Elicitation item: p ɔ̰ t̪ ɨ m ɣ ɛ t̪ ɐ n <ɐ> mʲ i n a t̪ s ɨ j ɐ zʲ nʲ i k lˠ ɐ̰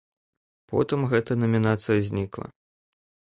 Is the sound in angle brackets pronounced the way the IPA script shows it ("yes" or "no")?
yes